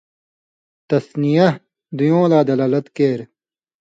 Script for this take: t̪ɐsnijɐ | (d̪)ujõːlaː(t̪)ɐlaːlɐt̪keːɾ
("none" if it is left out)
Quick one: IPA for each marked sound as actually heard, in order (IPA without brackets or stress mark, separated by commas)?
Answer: d̪, d̪